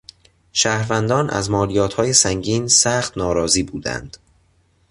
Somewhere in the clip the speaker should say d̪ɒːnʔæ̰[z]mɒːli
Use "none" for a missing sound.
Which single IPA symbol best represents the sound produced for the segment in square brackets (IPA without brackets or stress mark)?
z